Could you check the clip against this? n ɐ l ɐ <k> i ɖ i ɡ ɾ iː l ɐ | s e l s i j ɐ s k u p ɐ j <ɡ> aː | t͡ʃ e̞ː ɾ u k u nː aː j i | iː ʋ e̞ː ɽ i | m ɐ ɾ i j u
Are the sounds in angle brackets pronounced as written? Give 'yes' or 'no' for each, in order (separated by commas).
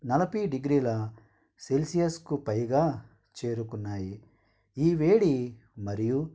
no, yes